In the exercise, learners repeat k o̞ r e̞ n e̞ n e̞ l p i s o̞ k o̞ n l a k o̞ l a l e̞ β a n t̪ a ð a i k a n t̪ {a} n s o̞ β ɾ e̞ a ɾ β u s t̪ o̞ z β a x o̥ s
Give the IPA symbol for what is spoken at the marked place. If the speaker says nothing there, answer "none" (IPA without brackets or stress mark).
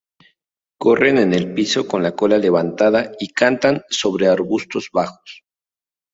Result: a